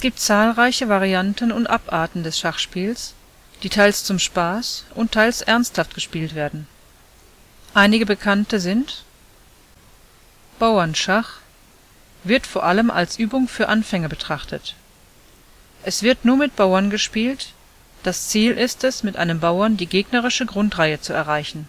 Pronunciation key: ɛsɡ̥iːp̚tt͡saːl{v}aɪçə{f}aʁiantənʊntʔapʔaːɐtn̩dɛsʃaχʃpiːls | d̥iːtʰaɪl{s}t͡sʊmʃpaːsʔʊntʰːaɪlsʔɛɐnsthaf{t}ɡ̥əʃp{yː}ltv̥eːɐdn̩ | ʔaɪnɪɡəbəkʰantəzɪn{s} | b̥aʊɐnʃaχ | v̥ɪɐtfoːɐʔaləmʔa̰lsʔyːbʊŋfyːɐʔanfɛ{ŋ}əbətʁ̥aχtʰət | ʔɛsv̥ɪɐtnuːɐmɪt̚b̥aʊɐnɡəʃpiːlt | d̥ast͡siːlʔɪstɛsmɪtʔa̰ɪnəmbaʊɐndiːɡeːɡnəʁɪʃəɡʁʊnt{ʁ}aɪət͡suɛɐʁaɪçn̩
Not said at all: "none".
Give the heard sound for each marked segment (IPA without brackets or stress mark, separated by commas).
ʁ, v, s, t, iː, t, ŋ, ʁ